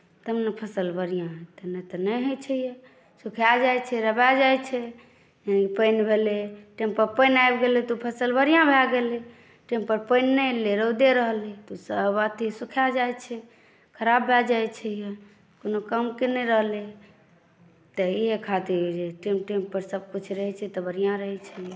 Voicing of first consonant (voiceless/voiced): voiceless